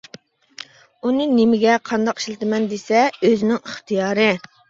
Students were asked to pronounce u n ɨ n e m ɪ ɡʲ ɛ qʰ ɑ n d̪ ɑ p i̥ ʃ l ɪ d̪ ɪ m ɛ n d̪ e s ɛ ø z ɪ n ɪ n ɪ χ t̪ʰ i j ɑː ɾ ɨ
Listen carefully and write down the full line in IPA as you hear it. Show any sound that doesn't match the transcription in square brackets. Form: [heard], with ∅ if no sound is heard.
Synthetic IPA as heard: u n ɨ n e m ɪ ɡʲ ɛ qʰ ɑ n d̪ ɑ [q] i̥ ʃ l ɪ [t̪] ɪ m ɛ n d̪ e s ɛ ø z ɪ n ɪ [ŋ] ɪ χ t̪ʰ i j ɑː ɾ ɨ